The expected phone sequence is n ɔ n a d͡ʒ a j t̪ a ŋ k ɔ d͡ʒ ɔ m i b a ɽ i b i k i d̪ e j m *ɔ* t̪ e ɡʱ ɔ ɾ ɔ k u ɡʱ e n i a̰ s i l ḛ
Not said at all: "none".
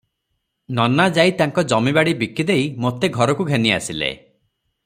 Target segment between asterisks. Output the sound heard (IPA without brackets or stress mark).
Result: o